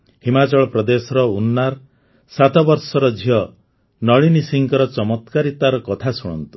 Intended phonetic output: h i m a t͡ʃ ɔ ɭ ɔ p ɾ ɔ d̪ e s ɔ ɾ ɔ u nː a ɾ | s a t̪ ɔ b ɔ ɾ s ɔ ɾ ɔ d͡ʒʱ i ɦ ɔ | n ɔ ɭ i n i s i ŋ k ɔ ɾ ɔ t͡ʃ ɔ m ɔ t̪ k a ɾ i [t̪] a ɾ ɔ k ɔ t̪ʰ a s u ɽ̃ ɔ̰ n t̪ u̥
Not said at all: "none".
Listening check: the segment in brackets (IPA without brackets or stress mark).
t̪